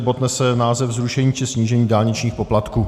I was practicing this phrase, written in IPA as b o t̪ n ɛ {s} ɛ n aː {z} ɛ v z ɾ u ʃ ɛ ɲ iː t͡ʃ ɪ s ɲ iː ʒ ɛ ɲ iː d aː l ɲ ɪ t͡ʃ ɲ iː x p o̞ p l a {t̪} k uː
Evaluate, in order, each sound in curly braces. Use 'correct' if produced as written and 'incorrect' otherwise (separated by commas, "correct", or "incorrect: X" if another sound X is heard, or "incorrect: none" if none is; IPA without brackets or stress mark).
correct, correct, correct